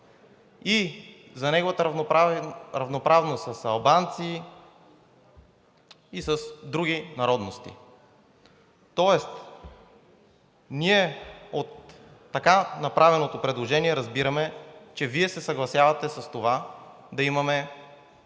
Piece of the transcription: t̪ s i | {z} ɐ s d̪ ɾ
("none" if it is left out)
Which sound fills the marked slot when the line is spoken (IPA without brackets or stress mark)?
s